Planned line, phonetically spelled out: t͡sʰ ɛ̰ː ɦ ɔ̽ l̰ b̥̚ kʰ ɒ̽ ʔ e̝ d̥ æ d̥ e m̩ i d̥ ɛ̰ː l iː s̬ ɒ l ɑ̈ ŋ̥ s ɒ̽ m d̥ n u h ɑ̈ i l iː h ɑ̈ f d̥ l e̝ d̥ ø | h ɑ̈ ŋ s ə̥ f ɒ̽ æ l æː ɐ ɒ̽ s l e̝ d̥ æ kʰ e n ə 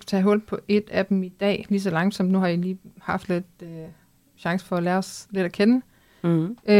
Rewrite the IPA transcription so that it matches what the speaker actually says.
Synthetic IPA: t͡sʰ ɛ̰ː ɦ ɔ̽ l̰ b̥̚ pʰ ɒ̽ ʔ e̝ d̥ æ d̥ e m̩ i d̥ ɛ̰ː l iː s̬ ɒ l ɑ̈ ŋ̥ s ɒ̽ m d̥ n u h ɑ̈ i l iː h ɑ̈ f d̥ l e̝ d̥ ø | ɕ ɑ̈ ŋ s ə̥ f ɒ̽ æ l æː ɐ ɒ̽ s l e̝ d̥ æ kʰ e n ə